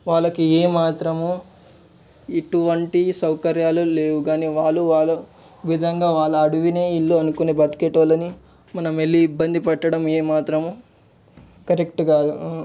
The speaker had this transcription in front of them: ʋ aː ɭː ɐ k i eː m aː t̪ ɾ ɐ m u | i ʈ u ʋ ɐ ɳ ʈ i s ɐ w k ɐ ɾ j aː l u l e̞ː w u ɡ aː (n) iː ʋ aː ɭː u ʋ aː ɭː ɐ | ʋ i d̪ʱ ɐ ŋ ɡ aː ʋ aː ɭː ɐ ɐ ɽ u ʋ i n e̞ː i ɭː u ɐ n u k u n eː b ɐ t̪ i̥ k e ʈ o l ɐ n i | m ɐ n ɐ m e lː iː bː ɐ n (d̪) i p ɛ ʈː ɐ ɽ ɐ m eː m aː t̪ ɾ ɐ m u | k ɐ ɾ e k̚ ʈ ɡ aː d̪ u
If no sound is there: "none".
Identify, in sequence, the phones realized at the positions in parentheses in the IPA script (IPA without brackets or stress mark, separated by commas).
n, d̪